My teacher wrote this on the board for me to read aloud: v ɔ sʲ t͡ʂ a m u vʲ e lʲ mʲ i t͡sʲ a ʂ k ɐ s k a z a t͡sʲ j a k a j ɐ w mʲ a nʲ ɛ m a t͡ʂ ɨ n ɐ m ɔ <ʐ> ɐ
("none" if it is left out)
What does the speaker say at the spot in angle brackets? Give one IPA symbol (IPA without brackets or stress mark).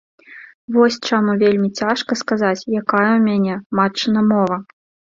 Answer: v